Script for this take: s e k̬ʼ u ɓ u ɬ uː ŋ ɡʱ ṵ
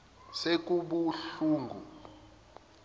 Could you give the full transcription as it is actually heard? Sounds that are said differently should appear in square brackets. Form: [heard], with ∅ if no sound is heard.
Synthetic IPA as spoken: s e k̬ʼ u ɓ u ɬ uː ŋ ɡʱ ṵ